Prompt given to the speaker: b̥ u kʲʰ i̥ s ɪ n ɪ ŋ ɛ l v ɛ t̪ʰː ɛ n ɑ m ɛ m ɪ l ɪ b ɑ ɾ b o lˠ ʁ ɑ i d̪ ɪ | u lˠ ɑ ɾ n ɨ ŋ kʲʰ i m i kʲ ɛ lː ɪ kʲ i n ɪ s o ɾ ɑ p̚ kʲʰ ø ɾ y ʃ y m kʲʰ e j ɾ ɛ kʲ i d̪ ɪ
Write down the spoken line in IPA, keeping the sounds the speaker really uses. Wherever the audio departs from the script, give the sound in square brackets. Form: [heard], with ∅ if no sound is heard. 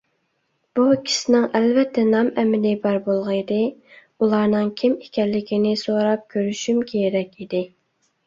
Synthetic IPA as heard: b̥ u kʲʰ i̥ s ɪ n ɪ ŋ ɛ l v ɛ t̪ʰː ɛ n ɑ m ɛ m ɪ l ɪ b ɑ ɾ b o lˠ ʁ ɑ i d̪ ɪ | u lˠ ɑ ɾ n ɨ ŋ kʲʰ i m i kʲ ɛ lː ɪ kʲ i n ɪ s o ɾ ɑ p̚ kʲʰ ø ɾ y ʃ y m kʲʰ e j ɾ ɛ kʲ i d̪ ɪ